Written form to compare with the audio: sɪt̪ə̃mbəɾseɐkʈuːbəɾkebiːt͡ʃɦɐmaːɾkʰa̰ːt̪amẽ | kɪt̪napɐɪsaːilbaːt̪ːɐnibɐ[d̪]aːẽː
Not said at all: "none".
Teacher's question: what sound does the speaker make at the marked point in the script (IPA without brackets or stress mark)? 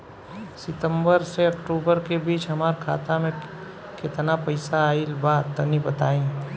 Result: t̪